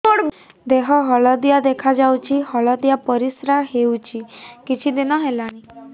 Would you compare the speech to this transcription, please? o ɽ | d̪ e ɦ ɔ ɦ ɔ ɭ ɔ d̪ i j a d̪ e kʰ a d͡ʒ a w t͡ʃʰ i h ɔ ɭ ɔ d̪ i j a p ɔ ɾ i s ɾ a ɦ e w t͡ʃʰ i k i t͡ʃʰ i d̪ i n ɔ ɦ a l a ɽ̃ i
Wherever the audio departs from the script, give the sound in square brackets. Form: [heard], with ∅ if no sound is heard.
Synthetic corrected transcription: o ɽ | d̪ e ɦ ɔ ɦ ɔ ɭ ɔ d̪ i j a d̪ e kʰ a d͡ʒ a w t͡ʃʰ i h ɔ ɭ ɔ d̪ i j a p ɔ ɾ i s ɾ a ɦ e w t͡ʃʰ i k i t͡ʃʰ i d̪ i n ɔ ɦ [e] l a ɽ̃ i